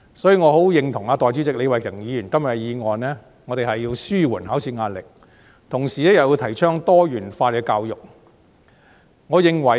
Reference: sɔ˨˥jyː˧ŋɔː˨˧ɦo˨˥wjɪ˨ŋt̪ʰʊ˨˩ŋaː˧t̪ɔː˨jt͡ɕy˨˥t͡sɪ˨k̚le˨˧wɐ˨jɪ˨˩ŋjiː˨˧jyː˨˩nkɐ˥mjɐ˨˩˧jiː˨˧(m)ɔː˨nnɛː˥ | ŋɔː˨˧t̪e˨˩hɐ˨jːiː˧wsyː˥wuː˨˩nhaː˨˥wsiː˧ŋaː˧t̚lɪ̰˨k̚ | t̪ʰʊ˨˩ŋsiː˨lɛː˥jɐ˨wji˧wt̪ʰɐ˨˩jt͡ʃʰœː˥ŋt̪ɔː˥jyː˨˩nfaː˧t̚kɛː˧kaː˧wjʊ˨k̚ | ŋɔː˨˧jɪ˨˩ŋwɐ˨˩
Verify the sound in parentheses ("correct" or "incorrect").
incorrect